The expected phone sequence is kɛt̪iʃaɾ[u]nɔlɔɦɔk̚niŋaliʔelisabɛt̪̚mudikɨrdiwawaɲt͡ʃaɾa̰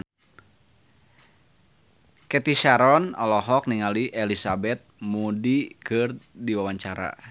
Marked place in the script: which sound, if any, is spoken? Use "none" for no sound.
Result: ɔ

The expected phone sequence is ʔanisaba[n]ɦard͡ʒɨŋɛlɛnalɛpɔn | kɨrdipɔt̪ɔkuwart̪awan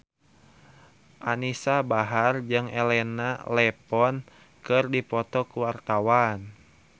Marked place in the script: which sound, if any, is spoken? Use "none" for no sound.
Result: none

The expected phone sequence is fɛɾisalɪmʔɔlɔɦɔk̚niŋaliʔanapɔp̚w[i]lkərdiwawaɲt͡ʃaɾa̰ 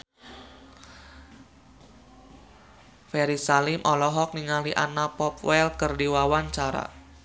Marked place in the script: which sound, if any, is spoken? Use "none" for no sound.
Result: ɛ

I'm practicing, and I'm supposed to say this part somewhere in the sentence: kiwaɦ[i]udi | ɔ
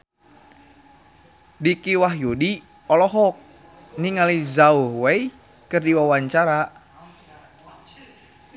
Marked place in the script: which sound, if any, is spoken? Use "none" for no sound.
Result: j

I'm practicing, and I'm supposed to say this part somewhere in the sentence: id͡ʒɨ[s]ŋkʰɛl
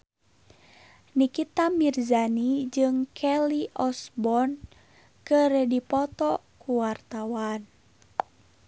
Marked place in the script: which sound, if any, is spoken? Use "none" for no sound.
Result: none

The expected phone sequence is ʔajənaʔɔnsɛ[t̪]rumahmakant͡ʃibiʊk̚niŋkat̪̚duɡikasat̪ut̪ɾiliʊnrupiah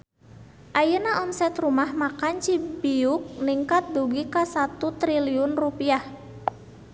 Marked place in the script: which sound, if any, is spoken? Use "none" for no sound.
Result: t̪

